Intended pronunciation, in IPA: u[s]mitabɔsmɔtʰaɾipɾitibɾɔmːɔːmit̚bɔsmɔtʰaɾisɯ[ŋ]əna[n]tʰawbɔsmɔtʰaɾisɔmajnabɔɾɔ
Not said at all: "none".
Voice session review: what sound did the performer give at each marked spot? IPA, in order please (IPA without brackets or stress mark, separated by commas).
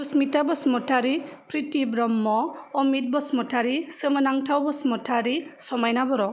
s, m, ŋ